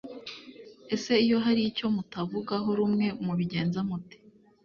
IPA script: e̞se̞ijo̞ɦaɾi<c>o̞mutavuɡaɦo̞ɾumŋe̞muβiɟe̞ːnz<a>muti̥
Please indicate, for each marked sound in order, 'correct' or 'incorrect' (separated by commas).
correct, correct